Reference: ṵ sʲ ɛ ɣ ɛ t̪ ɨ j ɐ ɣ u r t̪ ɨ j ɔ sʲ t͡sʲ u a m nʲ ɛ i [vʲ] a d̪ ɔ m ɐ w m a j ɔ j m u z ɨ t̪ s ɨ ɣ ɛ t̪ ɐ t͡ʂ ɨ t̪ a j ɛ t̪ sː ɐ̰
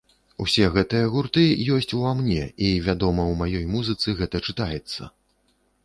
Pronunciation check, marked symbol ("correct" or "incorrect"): correct